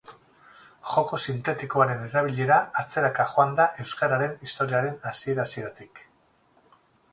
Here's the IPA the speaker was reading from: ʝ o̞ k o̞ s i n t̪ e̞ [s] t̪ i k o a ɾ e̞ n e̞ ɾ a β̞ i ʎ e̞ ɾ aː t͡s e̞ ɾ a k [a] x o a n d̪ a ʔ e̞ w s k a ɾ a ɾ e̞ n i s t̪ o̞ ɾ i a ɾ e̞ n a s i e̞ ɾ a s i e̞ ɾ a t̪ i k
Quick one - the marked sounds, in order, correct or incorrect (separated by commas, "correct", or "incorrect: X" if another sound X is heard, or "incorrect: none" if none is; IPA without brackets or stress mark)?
incorrect: none, correct